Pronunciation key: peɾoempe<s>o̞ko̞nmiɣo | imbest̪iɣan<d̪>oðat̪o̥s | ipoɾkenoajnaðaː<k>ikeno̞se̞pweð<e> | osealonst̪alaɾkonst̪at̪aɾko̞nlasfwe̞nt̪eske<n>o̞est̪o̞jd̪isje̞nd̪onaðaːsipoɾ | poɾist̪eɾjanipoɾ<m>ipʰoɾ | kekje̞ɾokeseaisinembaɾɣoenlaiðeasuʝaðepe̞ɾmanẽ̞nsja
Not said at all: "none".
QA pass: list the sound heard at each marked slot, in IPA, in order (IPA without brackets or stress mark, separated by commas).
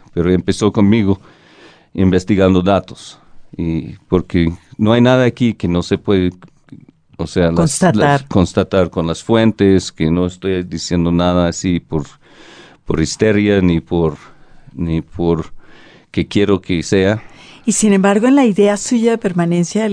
s, d̪, k, e, n, n